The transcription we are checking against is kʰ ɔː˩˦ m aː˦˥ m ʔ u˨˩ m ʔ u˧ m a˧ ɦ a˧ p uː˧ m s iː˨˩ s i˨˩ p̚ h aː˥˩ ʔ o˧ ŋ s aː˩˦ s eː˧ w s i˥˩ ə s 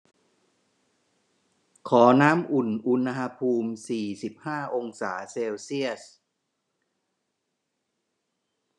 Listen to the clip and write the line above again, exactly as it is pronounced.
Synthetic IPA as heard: kʰ ɔː˩˦ n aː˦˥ m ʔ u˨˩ n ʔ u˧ n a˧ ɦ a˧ pʰ uː˧ m s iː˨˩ s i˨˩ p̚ h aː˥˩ ʔ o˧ ŋ s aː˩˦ s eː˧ w s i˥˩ ə s